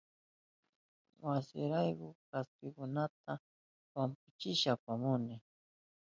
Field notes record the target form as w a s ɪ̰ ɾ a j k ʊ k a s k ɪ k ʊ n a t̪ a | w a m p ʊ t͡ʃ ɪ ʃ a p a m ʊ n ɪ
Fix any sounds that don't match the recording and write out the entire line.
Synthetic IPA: w a s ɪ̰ ɾ a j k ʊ k a s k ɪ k ʊ n a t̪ a | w a m p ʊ t͡ʃ ɪ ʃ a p a m ʊ n ɪ